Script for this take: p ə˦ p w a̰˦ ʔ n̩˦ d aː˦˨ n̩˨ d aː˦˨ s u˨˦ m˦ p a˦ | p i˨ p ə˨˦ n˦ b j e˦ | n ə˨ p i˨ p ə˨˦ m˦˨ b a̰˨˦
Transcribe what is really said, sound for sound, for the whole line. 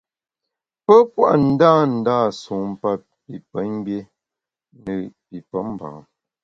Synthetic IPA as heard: p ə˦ p w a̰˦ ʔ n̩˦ d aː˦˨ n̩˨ d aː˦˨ s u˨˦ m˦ p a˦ | p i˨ p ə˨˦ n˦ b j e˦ | n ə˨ p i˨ p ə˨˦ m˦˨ b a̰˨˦